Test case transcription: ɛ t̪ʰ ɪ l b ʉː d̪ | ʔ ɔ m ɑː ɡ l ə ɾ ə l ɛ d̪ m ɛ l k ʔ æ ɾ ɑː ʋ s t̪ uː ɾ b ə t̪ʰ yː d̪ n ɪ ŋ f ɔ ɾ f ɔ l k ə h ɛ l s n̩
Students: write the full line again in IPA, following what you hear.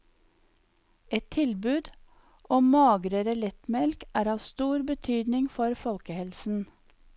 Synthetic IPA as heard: ɛ t̪ʰ ɪ l b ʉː d̪ | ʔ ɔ m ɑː ɡ ɾ ə ɾ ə l ɛ t̪ m ɛ l k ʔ æː ɾ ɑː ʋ s t̪ uː ɾ b ə t̪ʰ yː d̪ n ɪ ŋ f ɔ ɾ f ɔ l k ə h ɛ l s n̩

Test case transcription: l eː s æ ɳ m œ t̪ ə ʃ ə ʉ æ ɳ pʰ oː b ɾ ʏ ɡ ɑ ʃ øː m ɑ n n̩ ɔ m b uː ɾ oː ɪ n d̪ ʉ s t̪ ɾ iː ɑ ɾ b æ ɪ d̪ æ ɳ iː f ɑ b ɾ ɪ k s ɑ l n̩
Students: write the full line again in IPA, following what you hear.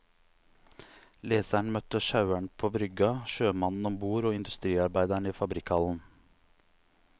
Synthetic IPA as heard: l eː s æ ɳ m œ t̪ ə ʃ ɑ ʉ æ ɳ pʰ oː b ɾ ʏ ɡ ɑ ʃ øː m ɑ n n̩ ɔ m b uː ɾ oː ɪ n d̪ ʉ s t̪ ɾ iː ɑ ɾ b æ ɪ d̪ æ ɳ iː f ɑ b ɾ ɪ k h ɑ l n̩

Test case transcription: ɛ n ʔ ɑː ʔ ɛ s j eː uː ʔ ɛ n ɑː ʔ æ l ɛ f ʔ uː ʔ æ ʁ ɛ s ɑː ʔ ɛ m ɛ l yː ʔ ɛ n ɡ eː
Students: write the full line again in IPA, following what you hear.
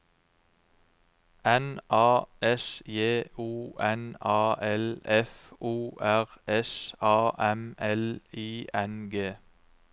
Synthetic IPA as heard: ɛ n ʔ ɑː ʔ ɛ s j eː uː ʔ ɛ n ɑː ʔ ɛ l ɛ f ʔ uː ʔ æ ʁ ɛ s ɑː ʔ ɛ m ɛ l iː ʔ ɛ n ɡ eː

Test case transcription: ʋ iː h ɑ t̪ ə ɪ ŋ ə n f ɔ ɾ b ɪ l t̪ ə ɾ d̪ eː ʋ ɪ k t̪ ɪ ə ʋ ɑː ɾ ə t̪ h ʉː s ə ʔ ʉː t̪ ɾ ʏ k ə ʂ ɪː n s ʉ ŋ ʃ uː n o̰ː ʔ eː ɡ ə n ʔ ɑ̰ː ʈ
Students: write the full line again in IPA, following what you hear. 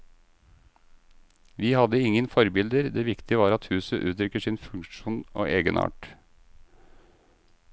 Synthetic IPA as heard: ʋ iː h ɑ d̪ ə ɪ ŋ ə n f ɔ ɾ b ɪ l d̪ ə ɾ d̪ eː ʋ ɪ k t̪ ɪ ə ʋ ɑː ɾ ɑ t̪ h ʉː s ə ʔ ʉː t̪ ɾ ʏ k ə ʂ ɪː n f ʉ ŋ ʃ uː n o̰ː ʔ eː ɡ ə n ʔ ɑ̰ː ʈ

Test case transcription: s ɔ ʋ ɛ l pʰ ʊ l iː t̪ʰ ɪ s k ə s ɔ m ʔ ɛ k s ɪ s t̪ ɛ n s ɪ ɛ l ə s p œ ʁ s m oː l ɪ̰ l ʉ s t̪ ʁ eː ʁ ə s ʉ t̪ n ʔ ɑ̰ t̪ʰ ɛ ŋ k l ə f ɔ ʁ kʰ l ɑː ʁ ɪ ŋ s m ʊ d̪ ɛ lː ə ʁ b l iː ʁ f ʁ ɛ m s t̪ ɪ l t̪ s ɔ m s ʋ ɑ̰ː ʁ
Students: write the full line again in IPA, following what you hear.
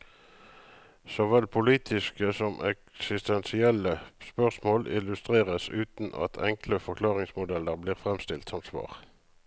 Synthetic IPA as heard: s ɔ ʋ ɛ l pʰ ʊ l iː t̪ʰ ɪ s k ə s ɔ m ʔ ɛ k s ɪ s t̪ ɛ n s ɪ ɛ l ə s p œ ʁ s m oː l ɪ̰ l ʉ s t̪ ʁ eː ʁ ə s ʉː t̪ n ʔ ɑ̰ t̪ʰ ɛ ŋ k l ə f ɔ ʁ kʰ l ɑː ʁ ɪ ŋ s m ʊ d̪ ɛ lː ə ʁ b l iː ʁ f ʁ ɛ m s t̪ ɪ l t̪ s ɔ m s ʋ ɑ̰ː ʁ

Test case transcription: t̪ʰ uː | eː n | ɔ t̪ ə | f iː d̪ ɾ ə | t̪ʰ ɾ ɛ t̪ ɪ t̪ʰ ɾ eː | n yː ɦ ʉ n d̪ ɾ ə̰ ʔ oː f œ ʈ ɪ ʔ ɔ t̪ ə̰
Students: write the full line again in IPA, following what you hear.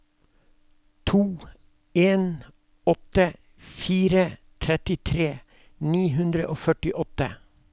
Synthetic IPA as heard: t̪ʰ uː | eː n | ɔ t̪ ə | f iː ɾ ə | t̪ʰ ɾ ɛ t̪ ɪ t̪ʰ ɾ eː | n iː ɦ ʉ n d̪ ɾ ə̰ ʔ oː f œ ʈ ɪ ʔ ɔ t̪ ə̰

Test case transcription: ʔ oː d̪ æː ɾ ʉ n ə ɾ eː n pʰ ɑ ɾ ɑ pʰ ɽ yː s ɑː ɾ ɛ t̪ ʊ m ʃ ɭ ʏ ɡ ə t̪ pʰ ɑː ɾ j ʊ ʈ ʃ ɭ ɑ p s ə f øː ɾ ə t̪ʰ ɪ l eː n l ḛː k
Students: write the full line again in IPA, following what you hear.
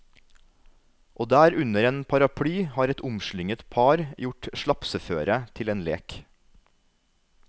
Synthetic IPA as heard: ʔ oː d̪ æː ɾ ʉ n ə ɾ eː n pʰ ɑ ɾ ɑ pʰ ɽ yː h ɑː ɾ ɛ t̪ ʊ m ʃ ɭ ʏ ŋ ə t̪ pʰ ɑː ɾ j ʊ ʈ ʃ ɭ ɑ p s ə f øː ɾ ə t̪ʰ ɪ l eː n l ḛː k

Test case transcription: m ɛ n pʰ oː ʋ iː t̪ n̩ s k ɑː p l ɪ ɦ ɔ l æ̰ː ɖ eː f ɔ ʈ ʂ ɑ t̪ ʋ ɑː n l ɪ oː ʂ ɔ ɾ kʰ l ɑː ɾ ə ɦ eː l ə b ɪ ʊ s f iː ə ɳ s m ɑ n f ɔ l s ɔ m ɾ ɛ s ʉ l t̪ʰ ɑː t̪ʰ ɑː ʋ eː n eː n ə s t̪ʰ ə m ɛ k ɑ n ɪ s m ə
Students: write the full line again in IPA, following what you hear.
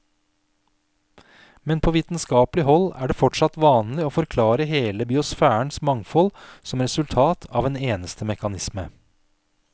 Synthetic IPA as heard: m ɛ n pʰ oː ʋ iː t̪ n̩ s k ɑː p l ɪ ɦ ɔ l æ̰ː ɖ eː f ɔ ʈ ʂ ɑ t̪ ʋ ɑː n l ɪ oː f ɔ ɾ kʰ l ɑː ɾ ə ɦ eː l ə b ɪ ʊ s f æː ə ɳ s m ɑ ŋ f ɔ l s ɔ m ɾ ɛ s ʉ l t̪ʰ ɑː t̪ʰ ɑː ʋ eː n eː n ə s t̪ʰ ə m ɛ k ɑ n ɪ s m ə

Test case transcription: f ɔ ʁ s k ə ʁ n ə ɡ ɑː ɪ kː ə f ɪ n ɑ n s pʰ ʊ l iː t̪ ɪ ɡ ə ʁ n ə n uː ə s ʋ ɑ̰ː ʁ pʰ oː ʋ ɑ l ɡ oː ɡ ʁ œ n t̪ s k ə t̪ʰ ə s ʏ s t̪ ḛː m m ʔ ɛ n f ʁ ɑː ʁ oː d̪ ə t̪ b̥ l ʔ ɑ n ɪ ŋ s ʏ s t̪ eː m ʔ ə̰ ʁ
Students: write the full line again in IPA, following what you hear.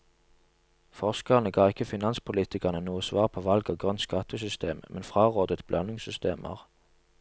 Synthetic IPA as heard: f ɔ ʁ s k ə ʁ n ə ɡ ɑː ɪ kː ə f ɪ n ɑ n s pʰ ʊ l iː t̪ ɪ k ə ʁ n ə n uː ə s ʋ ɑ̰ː ʁ pʰ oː ʋ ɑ l ɡ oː ɡ ʁ œ n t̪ s k ɑ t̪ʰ ə s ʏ s t̪ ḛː m m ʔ ɛ n f ʁ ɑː ʁ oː d̪ ə t̪ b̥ l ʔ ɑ n ɪ ŋ s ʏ s t̪ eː m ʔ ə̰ ʁ

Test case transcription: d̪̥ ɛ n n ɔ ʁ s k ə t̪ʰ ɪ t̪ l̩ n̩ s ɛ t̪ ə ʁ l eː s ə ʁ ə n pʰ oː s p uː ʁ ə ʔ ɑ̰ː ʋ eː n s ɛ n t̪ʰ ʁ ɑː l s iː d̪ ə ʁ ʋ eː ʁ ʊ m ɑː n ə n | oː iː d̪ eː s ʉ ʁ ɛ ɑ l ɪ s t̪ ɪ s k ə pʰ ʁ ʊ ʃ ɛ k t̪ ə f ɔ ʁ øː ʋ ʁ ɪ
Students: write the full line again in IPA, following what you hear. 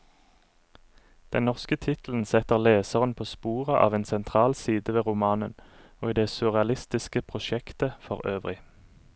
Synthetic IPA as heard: d̪̥ ɛ n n ɔ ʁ s k ə t̪ʰ ɪ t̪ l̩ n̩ s ɛ t̪ ə ʁ l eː s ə ʁ ə n pʰ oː s p uː ʁ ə ʔ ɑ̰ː ʋ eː n s ɛ n t̪ʰ ʁ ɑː l s iː d̪ ə ʋ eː ʁ ʊ m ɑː n ə n | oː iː d̪ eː s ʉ ʁ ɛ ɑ l ɪ s t̪ ɪ s k ə pʰ ʁ ʊ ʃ ɛ k t̪ ə f ɔ ʁ øː ʋ ʁ ɪ

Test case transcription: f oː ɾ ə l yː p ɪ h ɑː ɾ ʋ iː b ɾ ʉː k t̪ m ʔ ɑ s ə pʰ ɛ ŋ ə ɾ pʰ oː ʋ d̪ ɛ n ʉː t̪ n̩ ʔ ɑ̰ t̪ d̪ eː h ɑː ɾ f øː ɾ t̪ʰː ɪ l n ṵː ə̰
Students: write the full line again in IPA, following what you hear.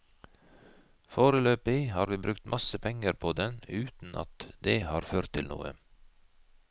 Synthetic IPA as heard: f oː ɾ ə l øː p ɪ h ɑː ɾ ʋ iː b ɾ ʉ k t̪ m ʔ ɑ s ə pʰ ɛ ŋ ə ɾ pʰ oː d̪ ɛ n ʉː t̪ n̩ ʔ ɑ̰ t̪ d̪ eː h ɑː ɾ f øː ɾ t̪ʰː ɪ l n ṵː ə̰

